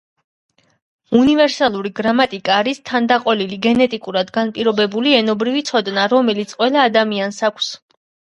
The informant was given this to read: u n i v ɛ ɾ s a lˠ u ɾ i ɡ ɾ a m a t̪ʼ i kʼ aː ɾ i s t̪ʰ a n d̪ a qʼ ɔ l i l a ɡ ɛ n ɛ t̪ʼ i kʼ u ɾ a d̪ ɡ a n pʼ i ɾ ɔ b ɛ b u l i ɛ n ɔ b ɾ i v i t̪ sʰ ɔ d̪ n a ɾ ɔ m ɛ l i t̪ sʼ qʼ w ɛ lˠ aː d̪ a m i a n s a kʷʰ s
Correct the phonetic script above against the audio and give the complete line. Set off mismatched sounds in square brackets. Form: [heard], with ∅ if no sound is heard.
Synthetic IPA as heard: u n i v ɛ ɾ s a lˠ u ɾ i ɡ ɾ a m a t̪ʼ i kʼ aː ɾ i s t̪ʰ a n d̪ a qʼ ɔ l i l [i] ɡ ɛ n ɛ t̪ʼ i kʼ u ɾ a d̪ ɡ a n pʼ i ɾ ɔ b ɛ b u l i ɛ n ɔ b ɾ i v i t̪ sʰ ɔ d̪ n a ɾ ɔ m ɛ l i t̪ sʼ qʼ w ɛ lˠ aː d̪ a m i a n s a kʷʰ s